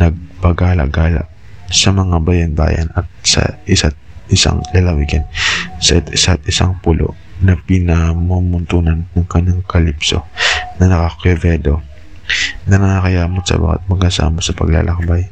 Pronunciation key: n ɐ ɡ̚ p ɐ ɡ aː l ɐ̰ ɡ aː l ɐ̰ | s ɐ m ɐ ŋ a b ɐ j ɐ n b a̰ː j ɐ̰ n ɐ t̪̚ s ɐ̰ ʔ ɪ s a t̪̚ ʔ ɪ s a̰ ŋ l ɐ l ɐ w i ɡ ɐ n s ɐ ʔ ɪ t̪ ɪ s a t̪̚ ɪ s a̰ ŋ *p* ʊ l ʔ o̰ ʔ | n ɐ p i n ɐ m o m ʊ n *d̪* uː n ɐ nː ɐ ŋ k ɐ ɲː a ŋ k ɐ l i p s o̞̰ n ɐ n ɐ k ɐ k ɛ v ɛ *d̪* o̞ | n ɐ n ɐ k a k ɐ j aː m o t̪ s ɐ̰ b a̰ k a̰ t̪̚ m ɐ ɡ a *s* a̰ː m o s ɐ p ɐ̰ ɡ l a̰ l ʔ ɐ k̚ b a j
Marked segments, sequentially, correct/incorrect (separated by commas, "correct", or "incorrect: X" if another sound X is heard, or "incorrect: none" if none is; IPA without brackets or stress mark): correct, incorrect: t̪, correct, correct